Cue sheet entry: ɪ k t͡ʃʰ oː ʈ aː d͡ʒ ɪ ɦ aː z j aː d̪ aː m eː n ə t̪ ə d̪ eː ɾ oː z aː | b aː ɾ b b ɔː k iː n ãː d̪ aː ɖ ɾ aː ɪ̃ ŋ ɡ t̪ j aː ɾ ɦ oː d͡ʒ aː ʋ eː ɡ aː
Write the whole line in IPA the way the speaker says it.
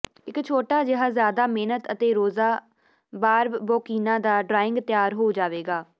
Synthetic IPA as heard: ɪ k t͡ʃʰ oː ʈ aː d͡ʒ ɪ ɦ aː z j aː d̪ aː m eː n ə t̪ ə t̪ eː ɾ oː z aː | b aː ɾ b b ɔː k iː n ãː d̪ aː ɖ ɾ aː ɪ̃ ŋ ɡ t̪ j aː ɾ ɦ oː d͡ʒ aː ʋ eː ɡ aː